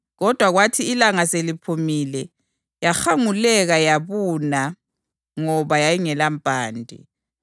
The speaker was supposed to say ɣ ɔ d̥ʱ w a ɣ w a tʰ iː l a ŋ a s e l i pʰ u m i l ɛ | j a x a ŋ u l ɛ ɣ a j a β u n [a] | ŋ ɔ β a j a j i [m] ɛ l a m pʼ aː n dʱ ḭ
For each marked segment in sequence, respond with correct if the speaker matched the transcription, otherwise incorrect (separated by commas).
correct, incorrect